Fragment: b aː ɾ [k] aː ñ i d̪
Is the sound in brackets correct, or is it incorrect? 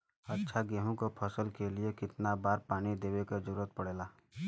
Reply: incorrect